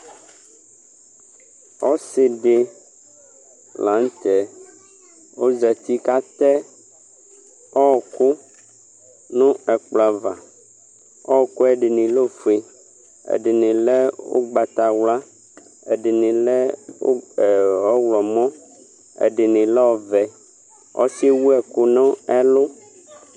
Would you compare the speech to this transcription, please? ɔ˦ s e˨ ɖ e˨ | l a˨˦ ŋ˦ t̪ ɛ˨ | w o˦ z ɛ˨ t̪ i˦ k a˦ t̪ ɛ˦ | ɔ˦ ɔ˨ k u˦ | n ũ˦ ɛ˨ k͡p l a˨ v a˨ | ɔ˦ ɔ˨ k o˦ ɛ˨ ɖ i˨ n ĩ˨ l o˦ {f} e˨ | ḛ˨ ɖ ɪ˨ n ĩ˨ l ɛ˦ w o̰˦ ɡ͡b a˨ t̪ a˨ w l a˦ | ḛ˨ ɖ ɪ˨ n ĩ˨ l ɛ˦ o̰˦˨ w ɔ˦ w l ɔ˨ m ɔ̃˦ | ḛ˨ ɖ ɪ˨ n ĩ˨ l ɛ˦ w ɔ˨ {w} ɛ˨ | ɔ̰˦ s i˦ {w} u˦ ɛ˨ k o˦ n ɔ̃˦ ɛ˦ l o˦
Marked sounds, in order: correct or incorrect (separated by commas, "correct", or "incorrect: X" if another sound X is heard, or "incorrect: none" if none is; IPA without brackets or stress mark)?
correct, incorrect: v, correct